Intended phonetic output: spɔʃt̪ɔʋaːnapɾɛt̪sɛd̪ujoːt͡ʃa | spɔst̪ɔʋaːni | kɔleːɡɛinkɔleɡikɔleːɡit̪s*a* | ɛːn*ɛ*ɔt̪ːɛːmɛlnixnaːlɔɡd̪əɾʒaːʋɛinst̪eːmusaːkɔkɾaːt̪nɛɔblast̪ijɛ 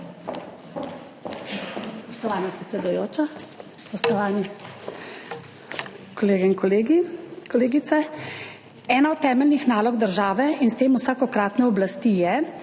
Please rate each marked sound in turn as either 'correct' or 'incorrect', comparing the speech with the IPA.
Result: incorrect, incorrect

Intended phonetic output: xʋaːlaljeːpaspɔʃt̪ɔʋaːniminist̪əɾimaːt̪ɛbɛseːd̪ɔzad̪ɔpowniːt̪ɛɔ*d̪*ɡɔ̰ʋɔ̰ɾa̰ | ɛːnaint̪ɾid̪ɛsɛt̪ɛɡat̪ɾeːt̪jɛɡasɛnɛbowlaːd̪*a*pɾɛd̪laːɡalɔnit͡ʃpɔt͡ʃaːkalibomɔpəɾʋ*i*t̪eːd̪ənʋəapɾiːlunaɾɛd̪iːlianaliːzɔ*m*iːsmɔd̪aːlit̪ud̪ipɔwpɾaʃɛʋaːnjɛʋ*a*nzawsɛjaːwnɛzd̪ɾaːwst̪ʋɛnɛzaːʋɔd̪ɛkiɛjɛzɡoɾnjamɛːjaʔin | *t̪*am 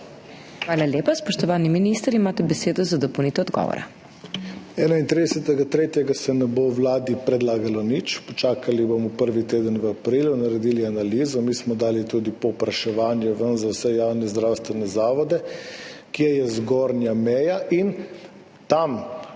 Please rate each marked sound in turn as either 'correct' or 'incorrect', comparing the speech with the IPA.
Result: correct, incorrect, correct, correct, incorrect, correct

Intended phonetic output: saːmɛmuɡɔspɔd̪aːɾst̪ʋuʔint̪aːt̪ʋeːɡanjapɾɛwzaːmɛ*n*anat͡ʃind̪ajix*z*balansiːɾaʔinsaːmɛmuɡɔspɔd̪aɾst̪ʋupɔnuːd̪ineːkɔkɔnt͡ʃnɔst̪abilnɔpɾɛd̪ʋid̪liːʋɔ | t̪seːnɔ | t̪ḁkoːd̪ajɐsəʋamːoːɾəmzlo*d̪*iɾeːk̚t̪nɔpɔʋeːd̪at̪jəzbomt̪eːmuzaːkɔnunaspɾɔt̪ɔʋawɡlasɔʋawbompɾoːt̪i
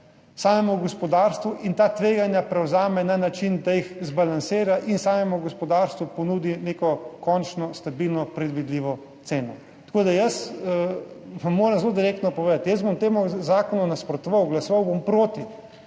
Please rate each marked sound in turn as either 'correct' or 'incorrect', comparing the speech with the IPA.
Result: correct, correct, correct

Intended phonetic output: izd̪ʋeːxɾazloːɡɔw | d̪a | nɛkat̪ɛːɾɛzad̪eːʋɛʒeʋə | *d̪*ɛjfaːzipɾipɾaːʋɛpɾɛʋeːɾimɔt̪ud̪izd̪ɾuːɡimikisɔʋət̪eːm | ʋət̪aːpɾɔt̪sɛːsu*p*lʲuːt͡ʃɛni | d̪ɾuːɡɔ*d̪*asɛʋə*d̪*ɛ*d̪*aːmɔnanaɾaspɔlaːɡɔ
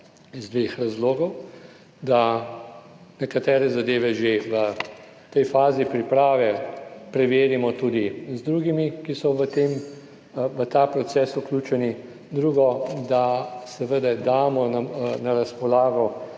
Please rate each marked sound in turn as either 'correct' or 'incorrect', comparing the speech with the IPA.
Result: incorrect, incorrect, correct, correct, correct

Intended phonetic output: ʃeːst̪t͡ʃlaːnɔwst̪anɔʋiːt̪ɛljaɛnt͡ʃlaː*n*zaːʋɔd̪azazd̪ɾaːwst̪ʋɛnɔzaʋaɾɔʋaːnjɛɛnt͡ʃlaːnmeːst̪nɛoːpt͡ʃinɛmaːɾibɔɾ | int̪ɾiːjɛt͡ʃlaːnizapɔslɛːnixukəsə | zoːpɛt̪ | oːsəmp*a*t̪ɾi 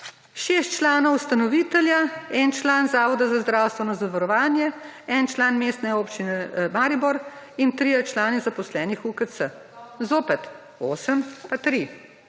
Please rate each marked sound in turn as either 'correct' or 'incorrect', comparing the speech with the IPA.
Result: correct, correct

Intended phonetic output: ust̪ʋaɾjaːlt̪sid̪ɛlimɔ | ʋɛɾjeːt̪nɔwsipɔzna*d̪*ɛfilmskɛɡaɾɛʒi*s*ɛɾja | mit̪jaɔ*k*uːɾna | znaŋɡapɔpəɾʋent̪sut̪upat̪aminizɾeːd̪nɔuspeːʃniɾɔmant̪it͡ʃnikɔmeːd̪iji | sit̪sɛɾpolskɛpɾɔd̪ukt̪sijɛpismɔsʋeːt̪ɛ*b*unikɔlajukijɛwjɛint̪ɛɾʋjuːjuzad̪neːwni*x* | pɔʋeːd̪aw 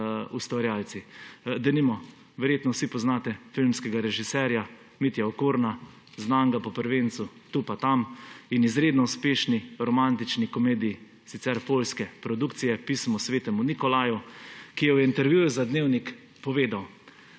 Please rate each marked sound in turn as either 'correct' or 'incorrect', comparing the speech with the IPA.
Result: incorrect, correct, correct, incorrect, incorrect

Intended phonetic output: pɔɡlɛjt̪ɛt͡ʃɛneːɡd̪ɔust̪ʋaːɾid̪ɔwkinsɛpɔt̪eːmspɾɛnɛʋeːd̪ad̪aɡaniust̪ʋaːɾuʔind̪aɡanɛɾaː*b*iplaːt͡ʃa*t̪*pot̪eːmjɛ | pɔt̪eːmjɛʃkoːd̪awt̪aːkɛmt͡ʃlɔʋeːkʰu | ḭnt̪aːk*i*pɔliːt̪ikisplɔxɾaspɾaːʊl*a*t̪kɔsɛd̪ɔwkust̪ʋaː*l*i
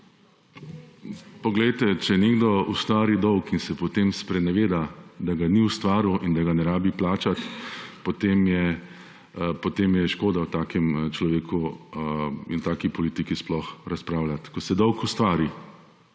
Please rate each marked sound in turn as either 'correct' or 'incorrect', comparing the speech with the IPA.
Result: correct, correct, correct, correct, incorrect

